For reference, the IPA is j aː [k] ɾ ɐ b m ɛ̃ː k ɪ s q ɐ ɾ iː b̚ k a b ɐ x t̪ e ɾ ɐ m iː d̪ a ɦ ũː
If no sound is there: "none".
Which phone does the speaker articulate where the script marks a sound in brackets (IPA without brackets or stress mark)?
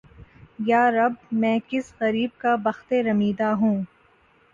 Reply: none